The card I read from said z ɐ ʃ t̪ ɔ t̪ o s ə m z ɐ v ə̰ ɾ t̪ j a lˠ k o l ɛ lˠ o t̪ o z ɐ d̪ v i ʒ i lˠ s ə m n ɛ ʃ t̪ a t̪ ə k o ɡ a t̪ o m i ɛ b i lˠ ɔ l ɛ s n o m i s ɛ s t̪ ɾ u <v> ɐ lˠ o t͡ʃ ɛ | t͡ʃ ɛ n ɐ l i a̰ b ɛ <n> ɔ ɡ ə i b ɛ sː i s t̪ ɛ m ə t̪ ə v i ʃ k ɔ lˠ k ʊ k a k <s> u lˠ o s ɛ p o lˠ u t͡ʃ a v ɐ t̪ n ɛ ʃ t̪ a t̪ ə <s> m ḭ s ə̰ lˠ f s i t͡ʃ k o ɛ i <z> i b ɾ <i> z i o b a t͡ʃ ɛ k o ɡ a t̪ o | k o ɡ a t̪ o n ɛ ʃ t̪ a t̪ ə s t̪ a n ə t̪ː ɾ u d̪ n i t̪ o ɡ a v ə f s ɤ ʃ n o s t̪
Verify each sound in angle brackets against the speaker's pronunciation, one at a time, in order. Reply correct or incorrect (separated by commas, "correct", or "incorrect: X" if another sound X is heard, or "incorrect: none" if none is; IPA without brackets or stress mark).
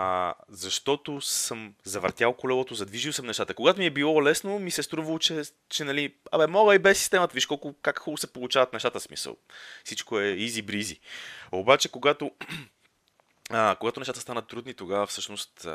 correct, incorrect: m, incorrect: x, correct, correct, correct